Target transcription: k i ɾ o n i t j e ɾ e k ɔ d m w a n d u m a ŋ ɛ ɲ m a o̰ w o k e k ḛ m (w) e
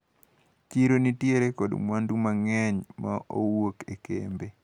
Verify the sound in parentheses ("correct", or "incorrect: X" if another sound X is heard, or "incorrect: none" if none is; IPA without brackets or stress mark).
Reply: incorrect: b